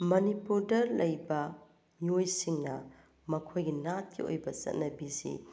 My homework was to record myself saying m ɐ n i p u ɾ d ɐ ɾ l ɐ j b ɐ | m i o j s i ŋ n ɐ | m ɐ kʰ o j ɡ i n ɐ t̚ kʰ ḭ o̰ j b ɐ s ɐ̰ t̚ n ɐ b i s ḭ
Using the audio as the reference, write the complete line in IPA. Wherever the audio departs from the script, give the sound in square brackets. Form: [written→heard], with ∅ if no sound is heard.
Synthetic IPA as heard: m ɐ n i p u ɾ d ɐ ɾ l ɐ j b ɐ | m i o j s i ŋ n ɐ | m ɐ kʰ o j ɡ i n [ɐ→a] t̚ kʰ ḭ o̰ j b ɐ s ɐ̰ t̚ n ɐ b i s ḭ